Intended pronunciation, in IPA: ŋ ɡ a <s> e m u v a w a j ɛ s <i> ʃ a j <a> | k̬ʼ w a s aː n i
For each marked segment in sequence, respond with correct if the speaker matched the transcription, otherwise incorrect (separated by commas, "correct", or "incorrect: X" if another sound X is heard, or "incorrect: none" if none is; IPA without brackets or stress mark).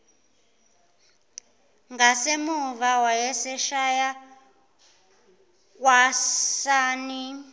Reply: correct, incorrect: ɛ, correct